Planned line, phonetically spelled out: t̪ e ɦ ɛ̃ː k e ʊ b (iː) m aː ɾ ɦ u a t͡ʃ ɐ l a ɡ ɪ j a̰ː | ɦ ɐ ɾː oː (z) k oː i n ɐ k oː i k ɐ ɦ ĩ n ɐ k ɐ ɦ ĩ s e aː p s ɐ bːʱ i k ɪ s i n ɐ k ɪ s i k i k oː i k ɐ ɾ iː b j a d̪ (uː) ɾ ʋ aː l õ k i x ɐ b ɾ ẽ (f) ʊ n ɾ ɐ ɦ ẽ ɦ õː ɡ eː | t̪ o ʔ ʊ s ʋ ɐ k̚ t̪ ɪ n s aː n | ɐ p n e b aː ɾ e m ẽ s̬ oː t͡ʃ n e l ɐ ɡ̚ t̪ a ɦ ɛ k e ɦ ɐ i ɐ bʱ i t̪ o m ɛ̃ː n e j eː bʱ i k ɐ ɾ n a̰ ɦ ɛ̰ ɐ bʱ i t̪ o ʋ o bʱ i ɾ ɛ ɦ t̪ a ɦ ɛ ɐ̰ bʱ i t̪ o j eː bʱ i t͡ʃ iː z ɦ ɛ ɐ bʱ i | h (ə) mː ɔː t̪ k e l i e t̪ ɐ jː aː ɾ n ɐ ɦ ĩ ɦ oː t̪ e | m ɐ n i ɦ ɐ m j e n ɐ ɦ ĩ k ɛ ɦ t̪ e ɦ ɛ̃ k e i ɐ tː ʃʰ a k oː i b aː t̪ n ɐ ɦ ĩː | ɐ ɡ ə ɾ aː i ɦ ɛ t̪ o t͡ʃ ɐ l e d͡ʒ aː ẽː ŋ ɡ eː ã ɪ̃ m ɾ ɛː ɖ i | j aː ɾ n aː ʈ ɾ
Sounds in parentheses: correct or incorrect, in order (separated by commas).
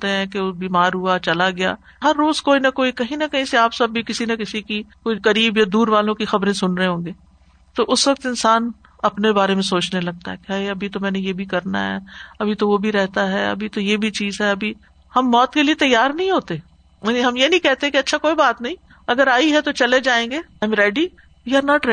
correct, correct, correct, incorrect, incorrect